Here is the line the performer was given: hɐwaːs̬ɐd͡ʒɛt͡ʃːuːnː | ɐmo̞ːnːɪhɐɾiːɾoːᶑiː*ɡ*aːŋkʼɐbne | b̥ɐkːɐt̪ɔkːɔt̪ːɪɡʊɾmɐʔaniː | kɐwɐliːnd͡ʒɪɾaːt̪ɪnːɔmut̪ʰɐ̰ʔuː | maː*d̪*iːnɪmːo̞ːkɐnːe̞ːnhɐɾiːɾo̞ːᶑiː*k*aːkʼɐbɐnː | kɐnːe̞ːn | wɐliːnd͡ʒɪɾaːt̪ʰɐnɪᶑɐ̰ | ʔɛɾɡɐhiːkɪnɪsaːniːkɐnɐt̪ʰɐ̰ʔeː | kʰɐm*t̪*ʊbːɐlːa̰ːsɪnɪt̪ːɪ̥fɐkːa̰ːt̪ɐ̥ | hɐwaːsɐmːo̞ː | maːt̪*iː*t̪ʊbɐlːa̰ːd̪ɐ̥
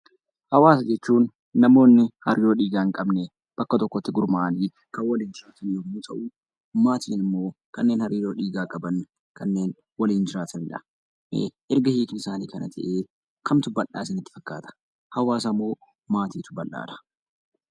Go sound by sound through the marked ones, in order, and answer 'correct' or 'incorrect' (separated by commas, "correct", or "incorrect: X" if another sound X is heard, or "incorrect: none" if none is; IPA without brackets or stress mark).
correct, incorrect: t̪, incorrect: ɡ, correct, correct